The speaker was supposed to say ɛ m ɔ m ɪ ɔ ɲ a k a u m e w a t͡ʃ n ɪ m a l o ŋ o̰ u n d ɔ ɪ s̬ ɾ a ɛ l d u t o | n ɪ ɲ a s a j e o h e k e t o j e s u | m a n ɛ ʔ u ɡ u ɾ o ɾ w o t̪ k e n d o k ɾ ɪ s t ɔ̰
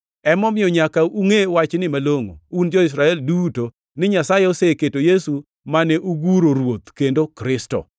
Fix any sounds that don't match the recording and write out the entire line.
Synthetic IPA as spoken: ɛ m ɔ m ɪ ɔ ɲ a k a u ŋ e w a t͡ʃ n ɪ m a l o ŋ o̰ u n d͡ʒ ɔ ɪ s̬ ɾ a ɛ l d u t o | n ɪ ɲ a s a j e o s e k e t o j e s u | m a n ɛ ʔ u ɡ u ɾ o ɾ w o t̪ k e n d o k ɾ ɪ s t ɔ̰